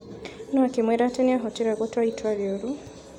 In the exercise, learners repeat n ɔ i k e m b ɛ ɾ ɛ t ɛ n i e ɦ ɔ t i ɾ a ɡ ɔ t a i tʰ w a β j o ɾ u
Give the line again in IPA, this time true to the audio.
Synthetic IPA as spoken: n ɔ a k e m w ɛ ɾ a t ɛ n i a ɦ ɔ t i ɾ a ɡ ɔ t a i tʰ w a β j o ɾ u